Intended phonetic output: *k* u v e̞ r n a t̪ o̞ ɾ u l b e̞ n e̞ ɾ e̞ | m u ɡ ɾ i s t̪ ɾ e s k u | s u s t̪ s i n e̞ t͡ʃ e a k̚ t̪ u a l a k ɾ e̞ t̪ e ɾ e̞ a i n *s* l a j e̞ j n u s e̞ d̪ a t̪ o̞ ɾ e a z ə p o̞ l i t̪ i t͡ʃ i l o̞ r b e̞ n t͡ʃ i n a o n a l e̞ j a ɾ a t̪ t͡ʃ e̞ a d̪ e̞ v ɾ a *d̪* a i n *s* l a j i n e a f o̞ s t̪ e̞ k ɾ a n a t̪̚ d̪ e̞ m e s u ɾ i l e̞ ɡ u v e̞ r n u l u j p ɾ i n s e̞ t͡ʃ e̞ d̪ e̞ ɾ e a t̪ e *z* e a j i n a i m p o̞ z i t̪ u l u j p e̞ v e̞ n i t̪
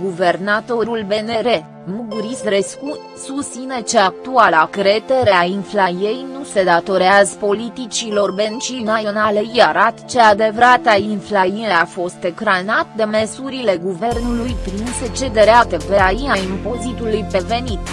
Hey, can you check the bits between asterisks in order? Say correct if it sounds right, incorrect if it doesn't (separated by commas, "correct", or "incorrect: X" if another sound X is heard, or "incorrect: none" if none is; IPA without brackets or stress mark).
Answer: incorrect: ɡ, incorrect: f, incorrect: t̪, incorrect: f, incorrect: v